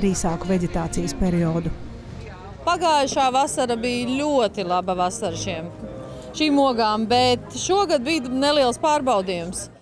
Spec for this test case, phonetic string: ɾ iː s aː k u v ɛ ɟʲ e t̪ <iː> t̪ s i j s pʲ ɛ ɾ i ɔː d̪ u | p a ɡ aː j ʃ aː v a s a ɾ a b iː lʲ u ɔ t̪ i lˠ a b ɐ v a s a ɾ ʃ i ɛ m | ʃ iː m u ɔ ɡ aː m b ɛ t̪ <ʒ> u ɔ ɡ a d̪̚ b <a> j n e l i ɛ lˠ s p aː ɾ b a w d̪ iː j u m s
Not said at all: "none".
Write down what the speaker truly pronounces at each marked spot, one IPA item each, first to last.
aː, ʃ, i

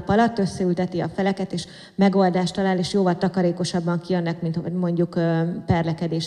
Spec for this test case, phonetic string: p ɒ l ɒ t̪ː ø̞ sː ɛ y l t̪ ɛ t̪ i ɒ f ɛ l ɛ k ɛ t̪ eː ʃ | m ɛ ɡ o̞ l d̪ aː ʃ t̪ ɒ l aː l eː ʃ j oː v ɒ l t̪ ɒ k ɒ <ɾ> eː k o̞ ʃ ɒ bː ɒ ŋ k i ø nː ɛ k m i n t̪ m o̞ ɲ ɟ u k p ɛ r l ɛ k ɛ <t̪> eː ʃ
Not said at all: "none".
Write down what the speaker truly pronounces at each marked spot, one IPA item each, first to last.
ɾ, d̪

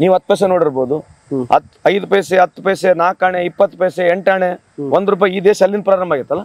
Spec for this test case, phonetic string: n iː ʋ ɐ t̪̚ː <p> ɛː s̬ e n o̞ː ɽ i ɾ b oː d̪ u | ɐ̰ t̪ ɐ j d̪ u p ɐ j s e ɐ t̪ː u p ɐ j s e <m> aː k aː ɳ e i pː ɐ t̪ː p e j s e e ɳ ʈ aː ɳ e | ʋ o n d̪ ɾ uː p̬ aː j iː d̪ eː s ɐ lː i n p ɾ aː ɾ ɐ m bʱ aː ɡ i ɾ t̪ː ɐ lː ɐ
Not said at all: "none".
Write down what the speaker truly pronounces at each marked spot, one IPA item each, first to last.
p, n

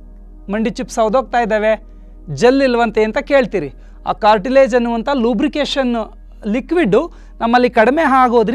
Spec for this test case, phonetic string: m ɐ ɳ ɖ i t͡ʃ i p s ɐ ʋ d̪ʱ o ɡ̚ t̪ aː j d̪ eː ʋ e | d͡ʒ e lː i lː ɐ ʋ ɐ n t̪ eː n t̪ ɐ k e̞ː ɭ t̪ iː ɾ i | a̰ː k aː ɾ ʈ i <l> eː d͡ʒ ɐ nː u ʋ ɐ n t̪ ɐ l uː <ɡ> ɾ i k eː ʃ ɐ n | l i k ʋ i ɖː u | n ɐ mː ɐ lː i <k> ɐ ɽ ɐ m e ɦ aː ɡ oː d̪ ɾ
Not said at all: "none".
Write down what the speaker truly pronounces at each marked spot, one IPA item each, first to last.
l, b, k

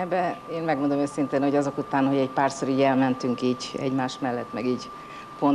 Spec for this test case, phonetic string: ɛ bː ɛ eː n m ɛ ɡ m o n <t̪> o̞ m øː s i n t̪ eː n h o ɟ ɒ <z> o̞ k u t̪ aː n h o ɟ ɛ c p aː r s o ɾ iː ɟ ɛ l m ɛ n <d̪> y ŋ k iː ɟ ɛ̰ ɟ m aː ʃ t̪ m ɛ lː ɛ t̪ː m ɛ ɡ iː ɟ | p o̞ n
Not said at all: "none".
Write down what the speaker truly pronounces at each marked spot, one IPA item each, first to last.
d̪, z, t̪

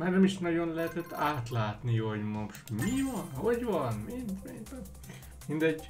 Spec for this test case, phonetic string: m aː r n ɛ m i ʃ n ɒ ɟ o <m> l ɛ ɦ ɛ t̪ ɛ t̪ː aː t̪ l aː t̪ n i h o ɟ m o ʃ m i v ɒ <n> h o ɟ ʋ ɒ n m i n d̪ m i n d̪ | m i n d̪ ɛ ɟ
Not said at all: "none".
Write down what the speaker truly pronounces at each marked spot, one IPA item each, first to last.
n, n

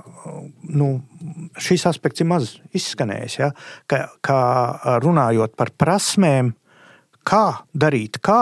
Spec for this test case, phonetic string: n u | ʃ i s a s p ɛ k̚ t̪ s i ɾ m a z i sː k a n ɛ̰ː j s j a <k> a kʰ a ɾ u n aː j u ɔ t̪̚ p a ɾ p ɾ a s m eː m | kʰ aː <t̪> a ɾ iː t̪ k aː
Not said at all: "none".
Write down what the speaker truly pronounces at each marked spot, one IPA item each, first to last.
k, d̪

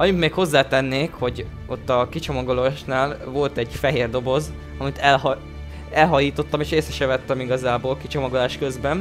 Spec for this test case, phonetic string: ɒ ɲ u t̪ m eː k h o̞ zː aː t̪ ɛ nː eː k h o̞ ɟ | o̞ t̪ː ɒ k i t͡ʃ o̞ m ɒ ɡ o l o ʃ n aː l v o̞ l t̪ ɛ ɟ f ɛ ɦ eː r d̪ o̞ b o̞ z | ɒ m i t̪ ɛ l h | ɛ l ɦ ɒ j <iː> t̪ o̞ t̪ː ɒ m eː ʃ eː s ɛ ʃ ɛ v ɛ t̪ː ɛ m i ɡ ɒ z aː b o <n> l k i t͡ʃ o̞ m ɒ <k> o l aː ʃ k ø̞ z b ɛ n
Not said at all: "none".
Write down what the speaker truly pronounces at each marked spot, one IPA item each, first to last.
iː, none, ɡ

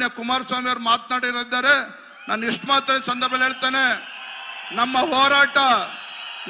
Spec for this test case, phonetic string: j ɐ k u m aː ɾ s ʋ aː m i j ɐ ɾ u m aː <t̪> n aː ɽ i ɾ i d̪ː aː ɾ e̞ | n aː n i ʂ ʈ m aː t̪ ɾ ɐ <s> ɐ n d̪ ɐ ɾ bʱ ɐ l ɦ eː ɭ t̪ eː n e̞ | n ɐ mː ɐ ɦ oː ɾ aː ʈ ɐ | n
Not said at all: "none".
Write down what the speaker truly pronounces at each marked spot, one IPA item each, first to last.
t̪, s

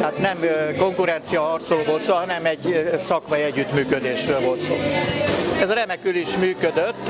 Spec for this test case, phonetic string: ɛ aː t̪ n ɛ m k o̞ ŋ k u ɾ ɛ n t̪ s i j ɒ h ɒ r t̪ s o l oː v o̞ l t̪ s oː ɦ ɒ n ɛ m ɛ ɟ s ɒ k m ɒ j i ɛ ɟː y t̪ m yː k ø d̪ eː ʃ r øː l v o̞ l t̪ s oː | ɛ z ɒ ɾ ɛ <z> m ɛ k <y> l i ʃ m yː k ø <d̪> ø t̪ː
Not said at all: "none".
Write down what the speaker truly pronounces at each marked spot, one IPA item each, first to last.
none, y, d̪

